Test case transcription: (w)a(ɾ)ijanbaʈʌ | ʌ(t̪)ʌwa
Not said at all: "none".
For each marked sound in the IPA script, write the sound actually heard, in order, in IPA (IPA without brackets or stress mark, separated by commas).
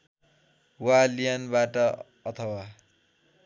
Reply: w, l, t̪ʰ